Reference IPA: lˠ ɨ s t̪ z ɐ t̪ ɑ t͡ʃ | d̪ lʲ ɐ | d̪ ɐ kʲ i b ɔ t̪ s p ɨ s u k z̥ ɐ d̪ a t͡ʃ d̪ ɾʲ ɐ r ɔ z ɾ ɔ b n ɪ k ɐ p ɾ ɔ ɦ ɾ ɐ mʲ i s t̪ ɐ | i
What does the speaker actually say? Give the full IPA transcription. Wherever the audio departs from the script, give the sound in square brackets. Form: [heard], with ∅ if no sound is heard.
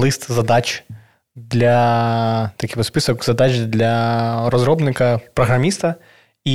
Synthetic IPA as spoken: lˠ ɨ s t̪ z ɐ [d̪] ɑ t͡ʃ | d̪ lʲ ɐ | [t̪] ɐ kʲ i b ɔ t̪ s p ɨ s [ɔ] k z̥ ɐ d̪ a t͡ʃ d̪ [lʲ] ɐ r ɔ z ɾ ɔ b n ɪ k ɐ p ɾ ɔ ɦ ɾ ɐ mʲ i s t̪ ɐ | i